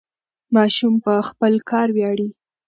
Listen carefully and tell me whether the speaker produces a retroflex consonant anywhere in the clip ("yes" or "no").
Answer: yes